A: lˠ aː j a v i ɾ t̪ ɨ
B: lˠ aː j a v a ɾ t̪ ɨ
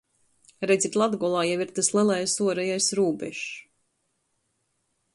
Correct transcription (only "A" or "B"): A